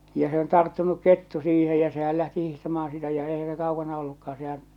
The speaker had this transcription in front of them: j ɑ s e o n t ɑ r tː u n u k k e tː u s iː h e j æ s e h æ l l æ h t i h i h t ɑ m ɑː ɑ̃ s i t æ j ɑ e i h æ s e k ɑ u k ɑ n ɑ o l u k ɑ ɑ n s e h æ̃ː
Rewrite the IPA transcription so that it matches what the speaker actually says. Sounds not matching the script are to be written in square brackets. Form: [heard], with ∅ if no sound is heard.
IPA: j ɑ s e o n t ɑ r tː u n u k k e tː u s iː h e j æ s e h æ l l æ h t i h i h t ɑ m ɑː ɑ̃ s i t æ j ɑ e i h æ s e k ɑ u k ɑ n ɑ o [lː] u k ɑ ɑ n s e h æ̃ː